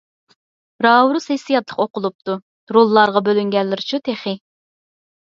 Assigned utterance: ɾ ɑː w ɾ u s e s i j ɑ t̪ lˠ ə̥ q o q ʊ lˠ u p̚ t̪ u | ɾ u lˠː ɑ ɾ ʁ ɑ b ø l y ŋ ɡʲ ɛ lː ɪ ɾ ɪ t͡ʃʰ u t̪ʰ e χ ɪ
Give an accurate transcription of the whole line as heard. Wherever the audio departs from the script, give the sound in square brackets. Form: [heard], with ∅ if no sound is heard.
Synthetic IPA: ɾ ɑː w ɾ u s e s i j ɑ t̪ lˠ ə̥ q o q ʊ lˠ u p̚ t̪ u | ɾ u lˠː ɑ ɾ ʁ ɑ b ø l y ŋ ɡʲ ɛ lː ɪ ɾ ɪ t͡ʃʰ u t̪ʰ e χ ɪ